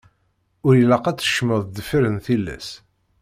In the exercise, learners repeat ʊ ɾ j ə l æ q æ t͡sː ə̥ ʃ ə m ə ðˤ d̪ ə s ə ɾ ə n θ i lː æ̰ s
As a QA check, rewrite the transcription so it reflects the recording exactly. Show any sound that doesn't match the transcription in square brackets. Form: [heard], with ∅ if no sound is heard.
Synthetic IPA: ʊ ɾ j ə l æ q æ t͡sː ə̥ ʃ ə m ə ðˤ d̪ ə [f] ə ɾ ə n θ i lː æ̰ s